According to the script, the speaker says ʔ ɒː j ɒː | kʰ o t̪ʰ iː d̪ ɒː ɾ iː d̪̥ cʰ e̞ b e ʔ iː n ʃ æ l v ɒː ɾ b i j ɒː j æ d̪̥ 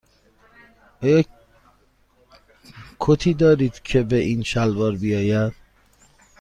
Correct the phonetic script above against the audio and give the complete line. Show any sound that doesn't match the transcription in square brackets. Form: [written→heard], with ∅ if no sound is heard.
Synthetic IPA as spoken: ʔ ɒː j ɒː | kʰ o t̪ʰ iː d̪ ɒː ɾ iː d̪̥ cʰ e̞ b e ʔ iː n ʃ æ l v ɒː ɾ b i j ɒː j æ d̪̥

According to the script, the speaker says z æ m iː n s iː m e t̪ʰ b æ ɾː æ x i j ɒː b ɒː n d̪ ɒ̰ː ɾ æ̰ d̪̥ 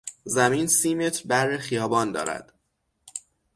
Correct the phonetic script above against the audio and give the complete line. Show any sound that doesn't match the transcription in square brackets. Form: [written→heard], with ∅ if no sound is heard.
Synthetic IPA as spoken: z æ m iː n s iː m e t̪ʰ b æ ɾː [æ→e] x i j ɒː b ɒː n d̪ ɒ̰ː ɾ æ̰ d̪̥

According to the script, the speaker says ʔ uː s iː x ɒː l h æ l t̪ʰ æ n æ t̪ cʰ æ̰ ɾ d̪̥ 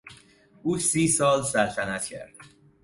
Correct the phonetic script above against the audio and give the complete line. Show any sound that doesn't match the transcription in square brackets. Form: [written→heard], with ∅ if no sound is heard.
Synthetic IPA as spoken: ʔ uː s iː [x→s] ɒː l [h→s] æ l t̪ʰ æ n æ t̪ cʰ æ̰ ɾ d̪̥

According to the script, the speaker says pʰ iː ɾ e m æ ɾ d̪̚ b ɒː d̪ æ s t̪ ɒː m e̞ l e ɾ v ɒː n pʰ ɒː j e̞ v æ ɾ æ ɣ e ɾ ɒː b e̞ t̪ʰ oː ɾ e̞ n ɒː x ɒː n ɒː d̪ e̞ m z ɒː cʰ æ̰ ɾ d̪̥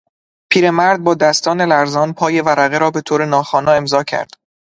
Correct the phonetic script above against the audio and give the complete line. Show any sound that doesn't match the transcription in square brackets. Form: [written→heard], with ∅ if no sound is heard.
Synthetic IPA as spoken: pʰ iː ɾ e m æ ɾ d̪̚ b ɒː d̪ æ s t̪ ɒː [m→n] e̞ l [e→æ] ɾ [v→z] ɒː n pʰ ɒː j e̞ v æ ɾ æ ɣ e ɾ ɒː b e̞ t̪ʰ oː ɾ e̞ n ɒː x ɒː n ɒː [d̪→∅] e̞ m z ɒː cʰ æ̰ ɾ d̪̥

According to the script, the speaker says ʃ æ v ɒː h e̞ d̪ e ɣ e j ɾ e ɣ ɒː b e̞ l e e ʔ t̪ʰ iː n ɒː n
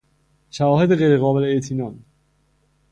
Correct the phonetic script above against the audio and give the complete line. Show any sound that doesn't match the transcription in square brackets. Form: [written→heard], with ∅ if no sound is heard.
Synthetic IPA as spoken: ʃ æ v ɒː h e̞ d̪ e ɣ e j ɾ e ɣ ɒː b e̞ l e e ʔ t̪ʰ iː n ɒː n

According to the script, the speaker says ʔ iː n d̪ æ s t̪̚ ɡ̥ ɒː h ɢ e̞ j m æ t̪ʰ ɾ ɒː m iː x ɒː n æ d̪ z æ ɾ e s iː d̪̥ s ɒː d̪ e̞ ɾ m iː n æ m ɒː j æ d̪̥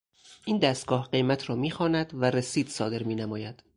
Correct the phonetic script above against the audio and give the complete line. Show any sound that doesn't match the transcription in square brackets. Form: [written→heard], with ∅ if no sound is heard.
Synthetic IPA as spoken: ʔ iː n d̪ æ s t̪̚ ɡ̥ ɒː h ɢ e̞ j m æ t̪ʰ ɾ ɒː m iː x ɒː n æ d̪ [z→v] æ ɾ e s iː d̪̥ s ɒː d̪ e̞ ɾ m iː n æ m ɒː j æ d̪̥

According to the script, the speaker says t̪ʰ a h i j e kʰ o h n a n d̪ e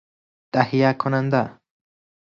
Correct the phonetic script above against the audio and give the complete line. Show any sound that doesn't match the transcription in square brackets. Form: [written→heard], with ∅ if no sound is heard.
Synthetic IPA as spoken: [t̪ʰ→t̪] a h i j [e→a] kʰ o [h→∅] n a n d̪ [e→a]

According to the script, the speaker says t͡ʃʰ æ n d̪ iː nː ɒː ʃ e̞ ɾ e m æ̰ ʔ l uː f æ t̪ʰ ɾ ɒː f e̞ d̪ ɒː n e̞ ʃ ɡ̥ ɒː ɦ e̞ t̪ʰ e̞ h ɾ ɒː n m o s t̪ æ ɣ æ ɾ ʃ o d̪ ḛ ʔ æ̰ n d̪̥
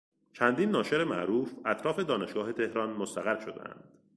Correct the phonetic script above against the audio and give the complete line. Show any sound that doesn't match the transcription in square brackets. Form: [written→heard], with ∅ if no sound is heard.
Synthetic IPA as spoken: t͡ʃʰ æ n d̪ iː nː ɒː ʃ e̞ ɾ e m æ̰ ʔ [l→ɾ] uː f æ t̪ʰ ɾ ɒː f e̞ d̪ ɒː n e̞ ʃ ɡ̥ ɒː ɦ e̞ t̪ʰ e̞ h ɾ ɒː n m o s t̪ æ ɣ æ ɾ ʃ o d̪ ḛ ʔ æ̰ n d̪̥

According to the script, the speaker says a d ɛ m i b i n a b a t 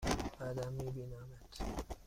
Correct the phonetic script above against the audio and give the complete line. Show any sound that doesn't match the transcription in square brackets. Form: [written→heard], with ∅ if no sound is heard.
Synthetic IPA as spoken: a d [ɛ→a] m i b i n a [b→m] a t

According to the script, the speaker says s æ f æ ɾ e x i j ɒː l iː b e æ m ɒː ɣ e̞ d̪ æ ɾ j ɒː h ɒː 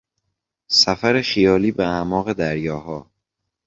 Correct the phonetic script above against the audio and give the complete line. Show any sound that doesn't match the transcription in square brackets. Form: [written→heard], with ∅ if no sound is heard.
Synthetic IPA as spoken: s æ f æ ɾ e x i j ɒː l iː b e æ m ɒː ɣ e̞ d̪ æ ɾ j ɒː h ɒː

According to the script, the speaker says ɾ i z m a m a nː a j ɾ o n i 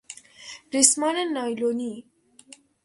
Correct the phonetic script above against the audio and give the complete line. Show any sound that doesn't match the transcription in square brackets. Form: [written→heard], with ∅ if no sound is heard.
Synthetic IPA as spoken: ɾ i [z→s] m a [m→n] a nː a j [ɾ→l] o n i

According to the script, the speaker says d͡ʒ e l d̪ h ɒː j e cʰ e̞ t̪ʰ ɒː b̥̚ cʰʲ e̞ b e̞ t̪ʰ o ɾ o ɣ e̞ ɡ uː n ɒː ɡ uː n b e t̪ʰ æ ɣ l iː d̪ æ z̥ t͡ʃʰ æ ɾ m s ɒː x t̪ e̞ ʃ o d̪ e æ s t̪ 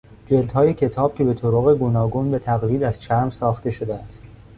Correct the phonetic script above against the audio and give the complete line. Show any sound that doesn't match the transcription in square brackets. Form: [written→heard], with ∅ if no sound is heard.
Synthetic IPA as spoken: d͡ʒ e l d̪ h ɒː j e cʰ e̞ t̪ʰ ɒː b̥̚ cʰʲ e̞ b e̞ t̪ʰ o ɾ o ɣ e̞ ɡ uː n ɒː ɡ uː n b e t̪ʰ æ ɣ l iː d̪ æ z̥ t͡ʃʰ æ ɾ m s ɒː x t̪ e̞ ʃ o d̪ e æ s t̪

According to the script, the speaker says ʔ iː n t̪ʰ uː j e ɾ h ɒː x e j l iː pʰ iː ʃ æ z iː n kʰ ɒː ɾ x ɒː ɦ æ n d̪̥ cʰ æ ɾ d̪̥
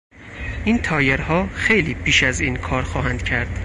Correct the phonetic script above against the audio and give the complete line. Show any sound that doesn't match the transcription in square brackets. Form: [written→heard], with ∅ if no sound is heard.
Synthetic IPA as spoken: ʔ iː n t̪ʰ [uː→ɒː] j e ɾ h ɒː x e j l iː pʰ iː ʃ æ z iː n kʰ ɒː ɾ x ɒː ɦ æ n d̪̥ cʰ æ ɾ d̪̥

